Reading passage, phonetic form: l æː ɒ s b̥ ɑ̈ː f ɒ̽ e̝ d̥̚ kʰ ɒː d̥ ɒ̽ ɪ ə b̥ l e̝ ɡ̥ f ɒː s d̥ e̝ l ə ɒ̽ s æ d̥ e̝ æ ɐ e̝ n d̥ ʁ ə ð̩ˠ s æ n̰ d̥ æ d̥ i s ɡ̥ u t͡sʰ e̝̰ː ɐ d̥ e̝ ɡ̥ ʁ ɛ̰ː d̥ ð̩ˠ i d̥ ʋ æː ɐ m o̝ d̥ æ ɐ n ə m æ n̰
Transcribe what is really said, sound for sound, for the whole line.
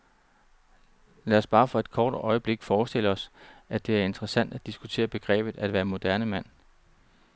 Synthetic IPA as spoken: l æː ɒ s b̥ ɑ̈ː f ɒ̽ e̝ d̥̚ kʰ ɒː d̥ ɒ̽ ɪ ə b̥ l e̝ ɡ̥ f ɒː s d̥ e̝ l ə ɒ̽ s æ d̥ e̝ æ ɐ e̝ n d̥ ʁ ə s æ n̰ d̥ æ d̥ i s ɡ̥ u t͡sʰ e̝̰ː ɐ b̥ e̝ ɡ̥ ʁ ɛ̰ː b̥ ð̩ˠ æ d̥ ʋ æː ɐ m o̝ d̥ æ ɐ n ə m æ n̰